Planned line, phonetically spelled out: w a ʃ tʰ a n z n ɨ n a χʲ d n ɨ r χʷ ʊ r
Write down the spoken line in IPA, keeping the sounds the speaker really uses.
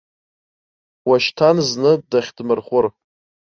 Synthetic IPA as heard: w a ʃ tʰ a n z n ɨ d a χʲ d m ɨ r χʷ ʊ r

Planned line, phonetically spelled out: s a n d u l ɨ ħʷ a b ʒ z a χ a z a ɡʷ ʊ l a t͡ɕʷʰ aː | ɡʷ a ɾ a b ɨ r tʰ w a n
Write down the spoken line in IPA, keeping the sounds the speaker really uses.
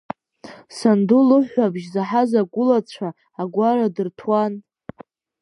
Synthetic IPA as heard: s a n d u l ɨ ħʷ a b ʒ z a ħ a z a ɡʷ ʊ l a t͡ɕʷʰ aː | ɡʷ a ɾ a d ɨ r tʰ w a n

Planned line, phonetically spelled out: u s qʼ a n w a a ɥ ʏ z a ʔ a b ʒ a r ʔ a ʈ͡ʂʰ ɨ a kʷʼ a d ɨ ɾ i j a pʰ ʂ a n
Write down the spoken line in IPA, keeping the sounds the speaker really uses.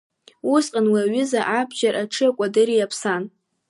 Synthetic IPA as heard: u s qʼ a n w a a ɥ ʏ z a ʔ a b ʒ a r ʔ a ʈ͡ʂʰ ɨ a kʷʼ a d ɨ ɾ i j a pʰ s a n

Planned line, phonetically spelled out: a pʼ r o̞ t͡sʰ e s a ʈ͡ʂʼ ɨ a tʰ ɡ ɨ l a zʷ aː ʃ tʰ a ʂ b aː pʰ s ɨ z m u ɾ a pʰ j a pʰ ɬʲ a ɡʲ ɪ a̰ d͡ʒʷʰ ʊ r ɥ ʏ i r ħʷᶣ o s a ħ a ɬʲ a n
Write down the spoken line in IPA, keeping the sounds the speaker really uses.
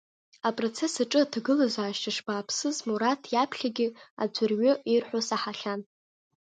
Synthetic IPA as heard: a pʼ r o̞ t͡sʰ e s a ʈ͡ʂʼ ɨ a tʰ ɡ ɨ l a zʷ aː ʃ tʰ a ʂ b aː pʰ s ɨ z m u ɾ a tʰ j a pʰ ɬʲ a ɡʲ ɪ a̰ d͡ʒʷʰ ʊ r ɥ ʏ i r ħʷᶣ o s a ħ a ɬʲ a n

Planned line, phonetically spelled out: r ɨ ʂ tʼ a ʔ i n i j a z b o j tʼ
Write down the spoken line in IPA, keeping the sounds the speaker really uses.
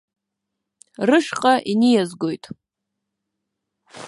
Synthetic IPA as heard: r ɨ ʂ qʼ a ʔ i n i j a z ɡ o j tʼ

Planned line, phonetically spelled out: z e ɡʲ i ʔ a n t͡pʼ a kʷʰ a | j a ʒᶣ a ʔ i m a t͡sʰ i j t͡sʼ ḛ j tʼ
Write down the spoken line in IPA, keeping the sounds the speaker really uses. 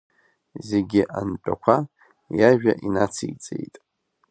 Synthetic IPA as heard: z e ɡʲ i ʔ a n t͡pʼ a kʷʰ a | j a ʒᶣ a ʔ i n a t͡sʰ i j t͡sʼ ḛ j tʼ

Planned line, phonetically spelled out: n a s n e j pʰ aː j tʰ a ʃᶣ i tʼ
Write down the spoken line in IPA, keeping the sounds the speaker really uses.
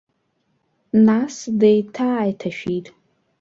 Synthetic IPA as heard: n a s d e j tʰ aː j tʰ a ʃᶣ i tʼ

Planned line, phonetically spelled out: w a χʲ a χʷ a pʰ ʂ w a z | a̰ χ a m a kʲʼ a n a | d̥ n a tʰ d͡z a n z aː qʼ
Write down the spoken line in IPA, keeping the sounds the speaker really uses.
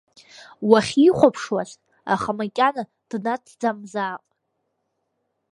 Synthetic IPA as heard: w a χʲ i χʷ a pʰ ʂ w a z | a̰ χ a m a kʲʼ a n a | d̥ n a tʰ d͡z a m z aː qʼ

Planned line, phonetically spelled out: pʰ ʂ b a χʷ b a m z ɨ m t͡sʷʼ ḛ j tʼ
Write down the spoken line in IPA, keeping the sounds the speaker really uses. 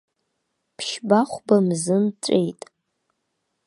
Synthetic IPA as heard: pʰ ʃ b a χʷ b a m z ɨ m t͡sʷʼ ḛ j tʼ

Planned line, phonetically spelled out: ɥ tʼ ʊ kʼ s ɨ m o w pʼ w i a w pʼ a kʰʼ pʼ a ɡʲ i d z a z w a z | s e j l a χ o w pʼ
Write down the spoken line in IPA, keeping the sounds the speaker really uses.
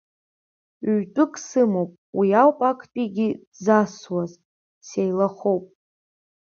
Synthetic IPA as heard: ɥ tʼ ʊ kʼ s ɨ m o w pʼ w i a w pʼ a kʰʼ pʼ i ɡʲ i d z a s w a z | s e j l a χ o w pʼ

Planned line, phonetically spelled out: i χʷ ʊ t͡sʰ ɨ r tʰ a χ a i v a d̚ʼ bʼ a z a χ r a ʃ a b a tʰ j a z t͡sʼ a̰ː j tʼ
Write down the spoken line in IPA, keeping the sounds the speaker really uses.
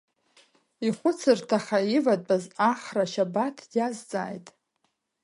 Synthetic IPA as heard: i χʷ ʊ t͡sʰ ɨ r tʰ a χ a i v a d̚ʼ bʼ a z a χ r a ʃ a b a tʰ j a z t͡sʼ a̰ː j tʼ

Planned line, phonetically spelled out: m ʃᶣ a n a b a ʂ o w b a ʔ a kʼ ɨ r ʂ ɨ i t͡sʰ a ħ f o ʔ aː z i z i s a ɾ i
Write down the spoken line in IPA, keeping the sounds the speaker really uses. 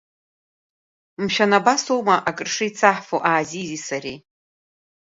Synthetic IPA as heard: m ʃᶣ a n a b a s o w m a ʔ a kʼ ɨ r ʂ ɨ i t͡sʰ a ħ f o ʔ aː z i z i s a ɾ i

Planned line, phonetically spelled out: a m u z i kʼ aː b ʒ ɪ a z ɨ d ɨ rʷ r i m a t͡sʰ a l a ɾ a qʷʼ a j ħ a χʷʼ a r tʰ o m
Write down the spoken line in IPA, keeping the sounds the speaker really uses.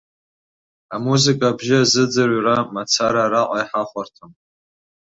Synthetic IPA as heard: a m u z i kʼ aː b ʒ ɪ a z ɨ d͡z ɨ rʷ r a m a t͡sʰ a ɾ a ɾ a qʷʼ a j ħ a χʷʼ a r tʰ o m

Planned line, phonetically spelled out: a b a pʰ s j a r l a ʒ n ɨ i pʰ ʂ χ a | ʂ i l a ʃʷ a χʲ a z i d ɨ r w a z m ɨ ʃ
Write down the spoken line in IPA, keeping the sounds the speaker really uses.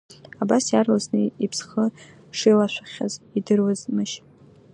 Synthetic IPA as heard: a b a s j a r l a z n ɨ i pʰ s χ ə | ʂ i l a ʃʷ a χʲ a z i d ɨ r w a z m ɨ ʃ

